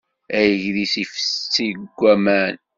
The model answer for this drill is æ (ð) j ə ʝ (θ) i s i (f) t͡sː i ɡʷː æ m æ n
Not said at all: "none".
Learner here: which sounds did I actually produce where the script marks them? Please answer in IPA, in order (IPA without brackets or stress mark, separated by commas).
none, ð, f